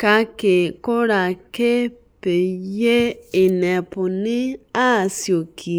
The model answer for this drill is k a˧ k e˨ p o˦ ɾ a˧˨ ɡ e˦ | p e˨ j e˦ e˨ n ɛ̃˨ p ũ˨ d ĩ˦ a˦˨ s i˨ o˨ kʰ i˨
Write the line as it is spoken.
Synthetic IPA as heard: k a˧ k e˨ k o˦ ɾ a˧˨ k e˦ | p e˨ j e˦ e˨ n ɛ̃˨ p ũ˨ n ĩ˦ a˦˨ s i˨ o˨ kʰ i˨